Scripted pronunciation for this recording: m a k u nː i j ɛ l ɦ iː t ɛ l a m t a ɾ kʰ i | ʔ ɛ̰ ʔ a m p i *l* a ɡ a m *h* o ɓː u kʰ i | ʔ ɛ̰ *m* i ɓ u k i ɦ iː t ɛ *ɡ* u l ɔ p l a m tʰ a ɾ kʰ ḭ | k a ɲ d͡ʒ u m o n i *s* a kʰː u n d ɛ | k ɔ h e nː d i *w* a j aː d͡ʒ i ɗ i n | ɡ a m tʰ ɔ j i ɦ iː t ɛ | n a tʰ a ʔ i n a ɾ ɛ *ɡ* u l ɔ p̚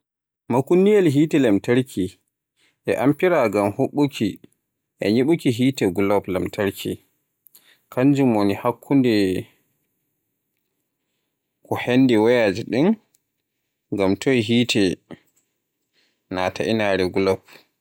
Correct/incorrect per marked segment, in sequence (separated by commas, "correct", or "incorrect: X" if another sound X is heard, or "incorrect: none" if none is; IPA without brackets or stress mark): incorrect: ɾ, correct, incorrect: ɲ, correct, incorrect: h, correct, correct